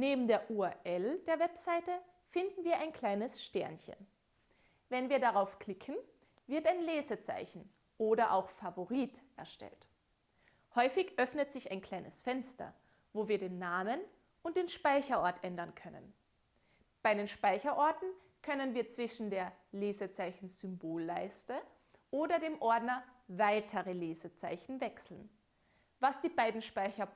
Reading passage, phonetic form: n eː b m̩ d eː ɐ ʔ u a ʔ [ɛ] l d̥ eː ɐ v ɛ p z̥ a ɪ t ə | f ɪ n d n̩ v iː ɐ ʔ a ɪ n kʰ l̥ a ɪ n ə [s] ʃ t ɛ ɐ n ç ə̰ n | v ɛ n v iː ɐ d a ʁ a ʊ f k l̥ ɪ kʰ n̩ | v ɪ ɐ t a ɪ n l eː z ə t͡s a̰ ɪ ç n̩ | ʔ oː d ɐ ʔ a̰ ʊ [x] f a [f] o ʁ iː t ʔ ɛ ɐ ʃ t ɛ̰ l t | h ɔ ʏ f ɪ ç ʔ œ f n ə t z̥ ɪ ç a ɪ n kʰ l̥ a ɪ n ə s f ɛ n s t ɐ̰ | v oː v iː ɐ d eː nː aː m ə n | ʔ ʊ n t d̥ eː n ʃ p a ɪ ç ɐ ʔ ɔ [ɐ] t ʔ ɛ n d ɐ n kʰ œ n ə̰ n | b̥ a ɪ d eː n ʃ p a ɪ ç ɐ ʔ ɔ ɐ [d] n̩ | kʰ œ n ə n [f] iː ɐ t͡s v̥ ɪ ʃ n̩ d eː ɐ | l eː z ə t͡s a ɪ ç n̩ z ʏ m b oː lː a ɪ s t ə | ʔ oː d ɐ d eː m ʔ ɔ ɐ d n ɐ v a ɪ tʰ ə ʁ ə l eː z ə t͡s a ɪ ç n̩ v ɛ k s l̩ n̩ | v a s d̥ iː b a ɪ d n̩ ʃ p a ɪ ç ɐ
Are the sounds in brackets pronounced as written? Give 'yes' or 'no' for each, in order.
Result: yes, yes, yes, no, yes, no, no

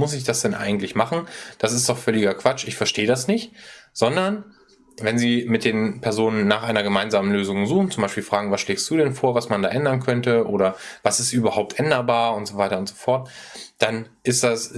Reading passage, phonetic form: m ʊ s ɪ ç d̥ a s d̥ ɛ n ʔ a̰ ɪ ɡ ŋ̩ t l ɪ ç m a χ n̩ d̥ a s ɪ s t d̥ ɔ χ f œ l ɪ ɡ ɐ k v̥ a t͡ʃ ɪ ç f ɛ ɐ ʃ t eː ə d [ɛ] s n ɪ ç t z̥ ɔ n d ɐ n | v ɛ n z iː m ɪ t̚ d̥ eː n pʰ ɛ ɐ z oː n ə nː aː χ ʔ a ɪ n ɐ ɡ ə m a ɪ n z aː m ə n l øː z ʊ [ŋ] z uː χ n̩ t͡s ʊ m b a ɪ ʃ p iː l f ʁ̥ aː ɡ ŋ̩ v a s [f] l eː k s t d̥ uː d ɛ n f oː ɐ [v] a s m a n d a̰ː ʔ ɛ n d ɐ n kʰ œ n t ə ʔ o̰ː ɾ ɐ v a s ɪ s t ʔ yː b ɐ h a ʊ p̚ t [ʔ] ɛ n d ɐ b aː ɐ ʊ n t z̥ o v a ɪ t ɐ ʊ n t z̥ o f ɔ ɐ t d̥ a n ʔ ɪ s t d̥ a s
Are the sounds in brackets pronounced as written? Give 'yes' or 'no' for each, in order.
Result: no, yes, no, yes, yes

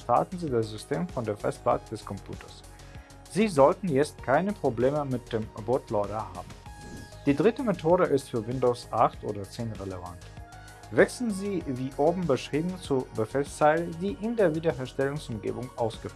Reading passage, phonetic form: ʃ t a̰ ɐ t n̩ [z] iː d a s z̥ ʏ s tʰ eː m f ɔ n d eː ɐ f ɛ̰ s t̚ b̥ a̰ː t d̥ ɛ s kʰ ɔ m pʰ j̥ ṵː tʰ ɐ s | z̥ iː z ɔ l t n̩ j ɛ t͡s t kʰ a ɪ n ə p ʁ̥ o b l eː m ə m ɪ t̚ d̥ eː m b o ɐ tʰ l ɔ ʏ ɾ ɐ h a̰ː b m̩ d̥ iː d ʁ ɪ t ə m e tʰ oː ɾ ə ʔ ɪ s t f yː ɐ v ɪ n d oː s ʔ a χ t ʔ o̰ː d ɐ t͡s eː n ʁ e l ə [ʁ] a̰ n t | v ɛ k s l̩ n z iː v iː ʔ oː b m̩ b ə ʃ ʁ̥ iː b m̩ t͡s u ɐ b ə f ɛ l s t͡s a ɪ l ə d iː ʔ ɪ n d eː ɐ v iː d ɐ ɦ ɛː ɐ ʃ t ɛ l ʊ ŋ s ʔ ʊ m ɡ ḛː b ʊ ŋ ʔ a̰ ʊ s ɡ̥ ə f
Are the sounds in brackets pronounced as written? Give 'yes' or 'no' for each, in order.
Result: yes, no

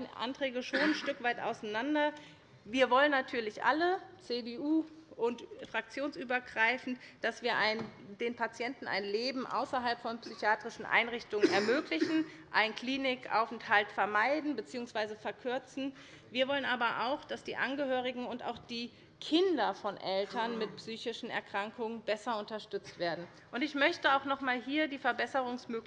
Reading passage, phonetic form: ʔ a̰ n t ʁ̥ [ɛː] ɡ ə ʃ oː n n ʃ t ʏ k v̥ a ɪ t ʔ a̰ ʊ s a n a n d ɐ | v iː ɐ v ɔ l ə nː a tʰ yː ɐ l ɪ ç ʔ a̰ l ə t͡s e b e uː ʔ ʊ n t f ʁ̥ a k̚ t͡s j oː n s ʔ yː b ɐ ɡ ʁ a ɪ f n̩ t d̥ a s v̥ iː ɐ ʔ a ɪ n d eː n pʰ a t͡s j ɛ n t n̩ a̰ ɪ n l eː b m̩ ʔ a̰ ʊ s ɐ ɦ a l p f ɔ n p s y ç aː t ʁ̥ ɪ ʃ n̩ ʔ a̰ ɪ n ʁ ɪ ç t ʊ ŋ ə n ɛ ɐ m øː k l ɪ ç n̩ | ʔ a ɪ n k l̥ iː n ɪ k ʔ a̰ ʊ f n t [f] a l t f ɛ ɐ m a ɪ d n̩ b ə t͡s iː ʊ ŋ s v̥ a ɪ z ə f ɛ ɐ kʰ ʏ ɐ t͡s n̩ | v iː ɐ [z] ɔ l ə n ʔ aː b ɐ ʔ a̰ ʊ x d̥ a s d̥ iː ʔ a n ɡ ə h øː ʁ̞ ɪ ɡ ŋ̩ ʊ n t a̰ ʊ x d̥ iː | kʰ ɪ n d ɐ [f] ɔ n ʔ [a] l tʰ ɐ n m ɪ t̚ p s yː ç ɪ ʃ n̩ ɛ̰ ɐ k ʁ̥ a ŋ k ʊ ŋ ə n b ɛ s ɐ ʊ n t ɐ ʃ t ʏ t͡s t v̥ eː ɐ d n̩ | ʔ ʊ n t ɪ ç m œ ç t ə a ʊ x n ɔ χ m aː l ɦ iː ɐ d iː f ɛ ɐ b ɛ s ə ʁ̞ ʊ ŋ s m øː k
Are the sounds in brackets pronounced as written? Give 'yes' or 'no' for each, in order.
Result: yes, no, no, yes, no

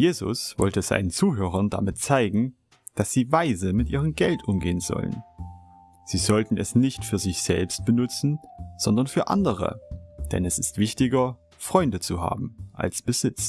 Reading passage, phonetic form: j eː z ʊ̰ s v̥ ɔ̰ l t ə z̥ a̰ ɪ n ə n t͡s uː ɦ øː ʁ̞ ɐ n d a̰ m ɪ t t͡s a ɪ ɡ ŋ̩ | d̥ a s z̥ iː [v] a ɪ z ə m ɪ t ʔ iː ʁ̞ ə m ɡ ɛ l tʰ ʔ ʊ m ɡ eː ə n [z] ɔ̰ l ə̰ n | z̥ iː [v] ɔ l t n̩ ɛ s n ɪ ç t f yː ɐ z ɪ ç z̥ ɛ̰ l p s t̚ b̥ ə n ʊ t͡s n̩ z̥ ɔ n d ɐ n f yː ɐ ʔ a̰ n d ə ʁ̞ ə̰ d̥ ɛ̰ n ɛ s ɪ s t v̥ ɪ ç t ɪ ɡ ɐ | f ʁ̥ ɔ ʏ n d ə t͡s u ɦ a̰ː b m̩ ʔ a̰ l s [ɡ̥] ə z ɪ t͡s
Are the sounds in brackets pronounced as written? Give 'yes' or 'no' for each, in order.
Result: yes, yes, no, no

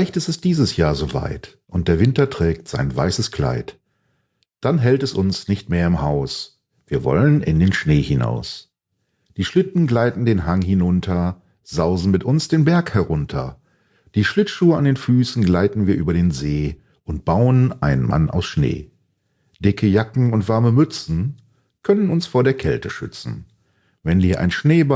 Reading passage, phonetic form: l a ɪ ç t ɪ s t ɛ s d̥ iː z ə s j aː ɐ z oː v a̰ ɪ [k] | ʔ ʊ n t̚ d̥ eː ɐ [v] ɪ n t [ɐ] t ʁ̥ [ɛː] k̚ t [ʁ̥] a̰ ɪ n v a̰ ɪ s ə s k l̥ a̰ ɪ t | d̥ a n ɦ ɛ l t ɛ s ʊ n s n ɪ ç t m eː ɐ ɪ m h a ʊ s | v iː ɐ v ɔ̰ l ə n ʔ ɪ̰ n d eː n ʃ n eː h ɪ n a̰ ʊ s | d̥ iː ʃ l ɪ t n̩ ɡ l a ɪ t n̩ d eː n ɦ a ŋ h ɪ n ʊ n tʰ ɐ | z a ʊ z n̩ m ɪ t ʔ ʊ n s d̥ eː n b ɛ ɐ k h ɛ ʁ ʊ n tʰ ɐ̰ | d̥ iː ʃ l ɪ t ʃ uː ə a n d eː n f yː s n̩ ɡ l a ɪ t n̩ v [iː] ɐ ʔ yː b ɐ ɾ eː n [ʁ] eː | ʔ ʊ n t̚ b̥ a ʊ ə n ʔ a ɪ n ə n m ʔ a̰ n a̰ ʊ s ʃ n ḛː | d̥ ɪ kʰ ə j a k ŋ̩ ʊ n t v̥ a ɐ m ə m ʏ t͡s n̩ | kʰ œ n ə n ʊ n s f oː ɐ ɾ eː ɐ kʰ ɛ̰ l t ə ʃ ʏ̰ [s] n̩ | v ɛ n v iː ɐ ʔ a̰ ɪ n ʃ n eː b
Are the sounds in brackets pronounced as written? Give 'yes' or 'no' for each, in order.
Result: no, yes, yes, yes, no, yes, no, no

